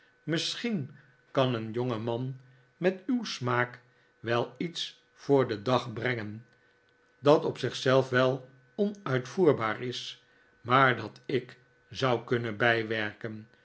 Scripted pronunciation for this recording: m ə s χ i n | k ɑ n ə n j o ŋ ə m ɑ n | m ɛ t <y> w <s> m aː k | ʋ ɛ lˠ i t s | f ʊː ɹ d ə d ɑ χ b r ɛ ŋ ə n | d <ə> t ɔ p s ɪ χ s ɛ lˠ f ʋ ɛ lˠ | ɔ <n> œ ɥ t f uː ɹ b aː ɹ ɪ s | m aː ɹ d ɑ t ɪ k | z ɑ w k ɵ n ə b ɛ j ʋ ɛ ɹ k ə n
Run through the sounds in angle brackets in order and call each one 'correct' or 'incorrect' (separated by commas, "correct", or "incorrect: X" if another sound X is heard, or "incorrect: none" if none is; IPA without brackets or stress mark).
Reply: correct, correct, incorrect: ɑ, correct